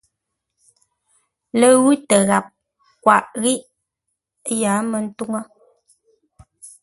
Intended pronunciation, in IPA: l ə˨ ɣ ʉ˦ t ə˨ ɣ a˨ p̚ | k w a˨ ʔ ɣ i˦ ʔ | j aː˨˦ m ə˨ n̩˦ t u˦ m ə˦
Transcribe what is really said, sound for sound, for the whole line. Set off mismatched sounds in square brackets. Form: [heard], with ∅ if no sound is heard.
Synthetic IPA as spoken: l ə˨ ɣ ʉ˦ t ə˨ ɣ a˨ p̚ | k w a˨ ʔ ɣ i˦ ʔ | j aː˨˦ m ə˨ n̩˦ t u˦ [ŋ] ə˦